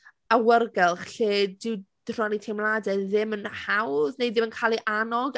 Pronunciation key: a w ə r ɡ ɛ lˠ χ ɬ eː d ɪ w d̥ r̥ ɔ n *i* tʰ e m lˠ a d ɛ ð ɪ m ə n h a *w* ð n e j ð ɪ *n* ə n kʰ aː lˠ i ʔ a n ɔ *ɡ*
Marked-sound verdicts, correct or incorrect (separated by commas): correct, correct, incorrect, correct